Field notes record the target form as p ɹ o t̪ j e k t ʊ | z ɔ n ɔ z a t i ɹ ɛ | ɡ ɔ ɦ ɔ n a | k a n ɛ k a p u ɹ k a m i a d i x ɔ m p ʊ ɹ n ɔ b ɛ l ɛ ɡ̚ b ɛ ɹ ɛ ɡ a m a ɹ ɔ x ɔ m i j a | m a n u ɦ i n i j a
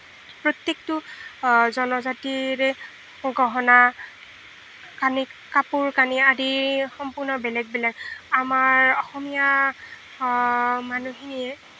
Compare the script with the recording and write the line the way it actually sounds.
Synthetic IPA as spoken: p ɹ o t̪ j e k t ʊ | z ɔ n ɔ z a t i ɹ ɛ | ɡ ɔ ɦ ɔ n a | k a n i k a p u ɹ k a n i a d i x ɔ m p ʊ ɹ n ɔ b ɛ l ɛ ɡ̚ b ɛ l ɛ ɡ a m a ɹ ɔ x ɔ m i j a | m a n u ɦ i n i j ɛ